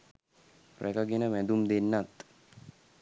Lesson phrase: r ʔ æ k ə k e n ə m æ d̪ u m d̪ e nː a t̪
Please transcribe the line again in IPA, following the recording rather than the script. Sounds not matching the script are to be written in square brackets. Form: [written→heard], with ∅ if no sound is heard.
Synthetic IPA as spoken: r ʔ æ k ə [k→ɡ] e n ə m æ d̪ u m d̪ e nː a t̪